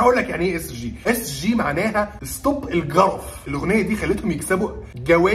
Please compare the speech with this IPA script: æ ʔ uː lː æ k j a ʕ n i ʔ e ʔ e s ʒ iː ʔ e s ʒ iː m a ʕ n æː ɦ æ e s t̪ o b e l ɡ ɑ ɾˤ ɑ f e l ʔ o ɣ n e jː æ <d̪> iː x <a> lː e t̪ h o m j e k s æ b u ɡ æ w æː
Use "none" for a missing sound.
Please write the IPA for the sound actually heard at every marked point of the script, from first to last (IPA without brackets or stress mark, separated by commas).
d̪, æ